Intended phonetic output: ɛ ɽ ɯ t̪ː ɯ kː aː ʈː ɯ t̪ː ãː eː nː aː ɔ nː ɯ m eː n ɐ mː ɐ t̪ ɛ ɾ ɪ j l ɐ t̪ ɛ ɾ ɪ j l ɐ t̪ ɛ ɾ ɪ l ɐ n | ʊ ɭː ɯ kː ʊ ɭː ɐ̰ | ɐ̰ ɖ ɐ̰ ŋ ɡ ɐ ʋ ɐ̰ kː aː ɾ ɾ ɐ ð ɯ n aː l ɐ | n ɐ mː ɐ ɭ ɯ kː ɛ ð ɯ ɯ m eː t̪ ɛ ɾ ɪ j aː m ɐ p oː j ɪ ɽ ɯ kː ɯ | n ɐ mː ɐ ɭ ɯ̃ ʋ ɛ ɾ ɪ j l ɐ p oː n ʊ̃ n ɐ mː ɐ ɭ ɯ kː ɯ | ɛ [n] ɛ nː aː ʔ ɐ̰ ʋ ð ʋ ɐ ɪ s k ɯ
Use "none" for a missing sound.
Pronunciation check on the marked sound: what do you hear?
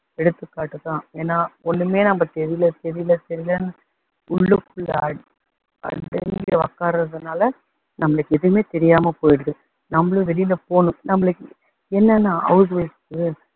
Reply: nː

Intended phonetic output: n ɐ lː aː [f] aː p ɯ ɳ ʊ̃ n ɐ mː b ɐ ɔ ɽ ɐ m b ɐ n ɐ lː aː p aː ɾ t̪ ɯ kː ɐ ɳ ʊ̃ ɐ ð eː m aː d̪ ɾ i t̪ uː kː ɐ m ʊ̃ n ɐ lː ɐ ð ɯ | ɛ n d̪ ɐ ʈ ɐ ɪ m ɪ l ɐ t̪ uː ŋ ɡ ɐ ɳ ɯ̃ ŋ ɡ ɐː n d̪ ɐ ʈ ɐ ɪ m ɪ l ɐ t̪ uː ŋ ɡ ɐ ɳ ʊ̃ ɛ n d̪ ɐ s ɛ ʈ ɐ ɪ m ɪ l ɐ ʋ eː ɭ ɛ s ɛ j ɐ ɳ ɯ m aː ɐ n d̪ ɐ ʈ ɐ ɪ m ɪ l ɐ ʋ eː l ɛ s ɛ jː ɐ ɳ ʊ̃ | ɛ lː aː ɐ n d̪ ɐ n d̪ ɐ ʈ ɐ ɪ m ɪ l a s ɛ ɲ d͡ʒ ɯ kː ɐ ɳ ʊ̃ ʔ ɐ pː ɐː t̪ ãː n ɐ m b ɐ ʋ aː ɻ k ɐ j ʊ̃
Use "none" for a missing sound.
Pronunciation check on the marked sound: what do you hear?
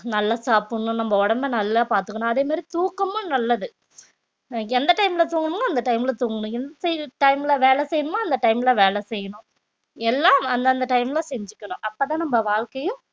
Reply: s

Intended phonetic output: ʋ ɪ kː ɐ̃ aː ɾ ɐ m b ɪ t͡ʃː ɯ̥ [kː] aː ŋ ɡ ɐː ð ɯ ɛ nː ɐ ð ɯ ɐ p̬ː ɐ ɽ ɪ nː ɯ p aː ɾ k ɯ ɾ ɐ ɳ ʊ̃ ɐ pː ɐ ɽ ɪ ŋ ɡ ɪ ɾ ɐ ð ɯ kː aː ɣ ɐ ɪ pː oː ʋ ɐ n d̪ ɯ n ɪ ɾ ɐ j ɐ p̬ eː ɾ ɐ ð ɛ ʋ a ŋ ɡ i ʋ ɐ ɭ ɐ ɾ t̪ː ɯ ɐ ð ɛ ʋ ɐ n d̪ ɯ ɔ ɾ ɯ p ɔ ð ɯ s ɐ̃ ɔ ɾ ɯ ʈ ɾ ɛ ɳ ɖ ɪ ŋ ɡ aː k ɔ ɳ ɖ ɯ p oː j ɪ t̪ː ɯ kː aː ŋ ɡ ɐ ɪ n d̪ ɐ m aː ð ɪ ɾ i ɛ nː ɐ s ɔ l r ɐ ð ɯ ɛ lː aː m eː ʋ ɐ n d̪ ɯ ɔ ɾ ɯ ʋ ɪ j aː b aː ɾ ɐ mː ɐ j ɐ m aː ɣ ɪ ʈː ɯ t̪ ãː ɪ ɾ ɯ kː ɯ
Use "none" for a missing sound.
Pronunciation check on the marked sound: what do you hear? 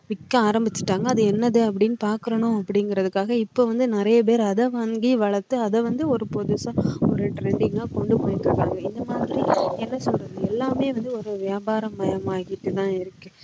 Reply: ʈː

